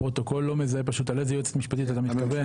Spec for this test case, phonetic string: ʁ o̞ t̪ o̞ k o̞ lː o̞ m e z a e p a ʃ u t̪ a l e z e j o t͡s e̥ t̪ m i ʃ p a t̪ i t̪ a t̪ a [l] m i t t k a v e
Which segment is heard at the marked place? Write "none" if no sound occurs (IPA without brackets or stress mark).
none